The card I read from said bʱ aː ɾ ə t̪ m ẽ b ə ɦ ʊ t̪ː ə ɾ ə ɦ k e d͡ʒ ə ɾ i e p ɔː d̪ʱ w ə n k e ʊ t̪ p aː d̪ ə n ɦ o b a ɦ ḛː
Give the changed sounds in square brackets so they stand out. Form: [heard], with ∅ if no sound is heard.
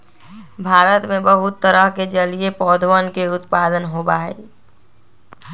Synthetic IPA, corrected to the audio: bʱ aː ɾ ə t̪ m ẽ b ə ɦ ʊ t̪ː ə ɾ ə ɦ k e d͡ʒ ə [l] i e p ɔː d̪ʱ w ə n k e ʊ t̪ p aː d̪ ə n ɦ o b a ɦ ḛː

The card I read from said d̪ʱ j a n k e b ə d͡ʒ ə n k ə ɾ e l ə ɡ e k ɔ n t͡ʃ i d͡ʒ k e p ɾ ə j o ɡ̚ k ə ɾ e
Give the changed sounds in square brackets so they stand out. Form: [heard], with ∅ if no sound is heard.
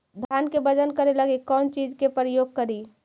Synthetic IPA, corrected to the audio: d̪ʱ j a n k e b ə d͡ʒ ə n k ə ɾ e l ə ɡ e k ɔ n t͡ʃ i d͡ʒ k e p ɾ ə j o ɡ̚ k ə ɾ [i]

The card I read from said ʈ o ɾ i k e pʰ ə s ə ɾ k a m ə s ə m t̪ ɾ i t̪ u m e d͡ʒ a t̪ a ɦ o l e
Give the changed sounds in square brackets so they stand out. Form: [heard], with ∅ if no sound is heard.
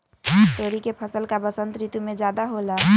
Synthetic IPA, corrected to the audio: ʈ o ɾ i k e pʰ ə s ə [l] k a [b] ə s ə [n] t̪ ɾ i t̪ u m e d͡ʒ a [d̪] a ɦ o l [a]

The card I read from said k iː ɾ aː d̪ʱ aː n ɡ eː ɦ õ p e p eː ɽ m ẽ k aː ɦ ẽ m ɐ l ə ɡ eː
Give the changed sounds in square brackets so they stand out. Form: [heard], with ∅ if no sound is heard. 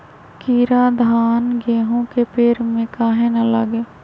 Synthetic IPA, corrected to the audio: k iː ɾ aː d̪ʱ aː n ɡ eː ɦ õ [k] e p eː [ɾ] m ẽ k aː ɦ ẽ [n] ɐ l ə ɡ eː

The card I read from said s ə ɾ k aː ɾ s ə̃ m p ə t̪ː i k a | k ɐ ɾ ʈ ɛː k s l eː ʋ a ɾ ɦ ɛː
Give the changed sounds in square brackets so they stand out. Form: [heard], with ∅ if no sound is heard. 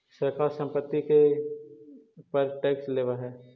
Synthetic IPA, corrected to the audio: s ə ɾ k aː ɾ s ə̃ m p ə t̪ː i k [e] | [p] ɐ ɾ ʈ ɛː k s l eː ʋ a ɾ ɦ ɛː

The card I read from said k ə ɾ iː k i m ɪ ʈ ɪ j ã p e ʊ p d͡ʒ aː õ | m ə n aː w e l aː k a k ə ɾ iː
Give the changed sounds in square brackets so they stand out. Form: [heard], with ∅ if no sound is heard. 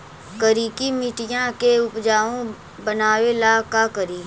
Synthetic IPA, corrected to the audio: k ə ɾ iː k i m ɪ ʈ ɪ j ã [k] e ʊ p d͡ʒ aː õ | [b] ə n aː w e l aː k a k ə ɾ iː

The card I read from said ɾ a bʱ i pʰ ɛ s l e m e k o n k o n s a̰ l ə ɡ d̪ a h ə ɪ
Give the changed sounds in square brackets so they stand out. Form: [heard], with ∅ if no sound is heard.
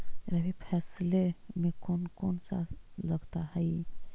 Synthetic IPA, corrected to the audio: ɾ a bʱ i pʰ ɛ s l e m e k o n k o n s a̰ l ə ɡ [t̪] a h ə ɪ

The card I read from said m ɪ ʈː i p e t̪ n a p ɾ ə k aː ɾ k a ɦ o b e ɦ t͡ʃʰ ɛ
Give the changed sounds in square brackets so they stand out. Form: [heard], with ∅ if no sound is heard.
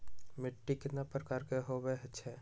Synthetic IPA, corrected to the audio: m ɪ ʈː i [k] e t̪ n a p ɾ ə k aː ɾ k [e] ɦ o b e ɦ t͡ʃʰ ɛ

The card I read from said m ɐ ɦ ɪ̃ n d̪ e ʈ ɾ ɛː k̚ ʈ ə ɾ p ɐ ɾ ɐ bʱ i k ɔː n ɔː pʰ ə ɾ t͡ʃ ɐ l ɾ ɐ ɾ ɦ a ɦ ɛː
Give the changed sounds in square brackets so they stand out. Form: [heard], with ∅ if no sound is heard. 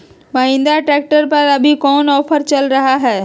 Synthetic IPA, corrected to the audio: m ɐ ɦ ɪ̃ n d̪ [a] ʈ ɾ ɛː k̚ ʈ ə ɾ p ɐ ɾ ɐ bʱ i k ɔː n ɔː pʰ ə ɾ t͡ʃ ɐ l ɾ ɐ [∅] ɦ a ɦ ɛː

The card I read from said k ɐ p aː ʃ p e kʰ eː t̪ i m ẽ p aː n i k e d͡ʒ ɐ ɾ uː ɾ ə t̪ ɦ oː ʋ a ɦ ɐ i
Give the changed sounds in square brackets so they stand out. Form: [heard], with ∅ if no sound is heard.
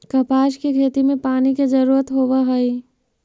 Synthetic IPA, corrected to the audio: k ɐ p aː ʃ [k] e kʰ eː t̪ i m ẽ p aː n i k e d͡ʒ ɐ ɾ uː ɾ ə t̪ ɦ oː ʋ a ɦ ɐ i

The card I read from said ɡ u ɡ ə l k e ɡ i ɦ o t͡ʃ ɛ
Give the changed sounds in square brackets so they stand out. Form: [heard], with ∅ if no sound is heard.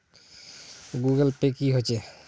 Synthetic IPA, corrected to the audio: ɡ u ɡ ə l [p] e [k] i ɦ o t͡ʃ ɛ

